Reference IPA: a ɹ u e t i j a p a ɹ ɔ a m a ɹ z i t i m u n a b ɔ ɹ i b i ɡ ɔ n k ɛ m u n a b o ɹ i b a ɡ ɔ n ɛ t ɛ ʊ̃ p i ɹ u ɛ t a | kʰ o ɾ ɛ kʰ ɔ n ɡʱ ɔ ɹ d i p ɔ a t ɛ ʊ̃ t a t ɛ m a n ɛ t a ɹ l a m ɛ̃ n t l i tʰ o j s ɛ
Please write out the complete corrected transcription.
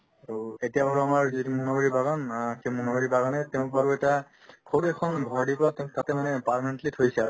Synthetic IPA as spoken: a ɹ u e t i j a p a ɹ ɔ a m a ɹ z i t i m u n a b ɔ ɹ i b a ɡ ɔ n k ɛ m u n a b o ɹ i b a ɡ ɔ n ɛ t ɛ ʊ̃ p a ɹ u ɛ t a | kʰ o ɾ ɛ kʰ ɔ n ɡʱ ɔ ɹ d i p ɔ a t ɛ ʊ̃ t a t ɛ m a n ɛ p a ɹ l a m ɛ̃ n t l i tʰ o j s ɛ